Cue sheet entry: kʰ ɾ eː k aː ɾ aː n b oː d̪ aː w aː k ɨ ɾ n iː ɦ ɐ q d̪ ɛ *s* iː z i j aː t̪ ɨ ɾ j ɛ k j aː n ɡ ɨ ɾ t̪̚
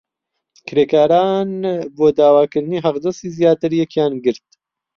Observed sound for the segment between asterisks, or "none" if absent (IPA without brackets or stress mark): s